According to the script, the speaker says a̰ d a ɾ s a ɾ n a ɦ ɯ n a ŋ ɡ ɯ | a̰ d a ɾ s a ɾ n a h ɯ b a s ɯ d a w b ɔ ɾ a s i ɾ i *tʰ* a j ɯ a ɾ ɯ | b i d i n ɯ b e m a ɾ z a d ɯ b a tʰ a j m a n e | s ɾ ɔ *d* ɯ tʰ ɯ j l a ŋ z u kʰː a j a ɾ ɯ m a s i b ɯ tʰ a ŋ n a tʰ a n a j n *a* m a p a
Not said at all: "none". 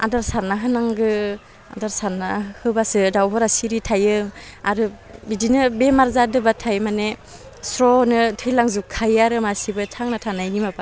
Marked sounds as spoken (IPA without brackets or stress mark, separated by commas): tʰ, n, i